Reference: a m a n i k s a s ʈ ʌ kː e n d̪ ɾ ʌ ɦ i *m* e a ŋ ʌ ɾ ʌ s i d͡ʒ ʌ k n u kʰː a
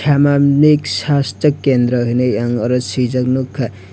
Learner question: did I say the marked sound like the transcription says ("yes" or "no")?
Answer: no